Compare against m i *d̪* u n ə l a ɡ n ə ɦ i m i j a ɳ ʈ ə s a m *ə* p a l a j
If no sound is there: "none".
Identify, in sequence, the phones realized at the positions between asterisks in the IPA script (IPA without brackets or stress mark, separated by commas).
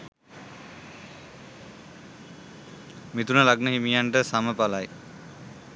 t̪, ə